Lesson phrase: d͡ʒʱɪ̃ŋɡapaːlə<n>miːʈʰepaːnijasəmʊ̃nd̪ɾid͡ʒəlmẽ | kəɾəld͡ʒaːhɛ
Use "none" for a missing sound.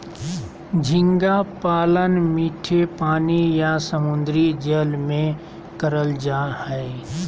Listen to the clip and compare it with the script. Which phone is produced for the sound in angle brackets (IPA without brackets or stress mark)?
n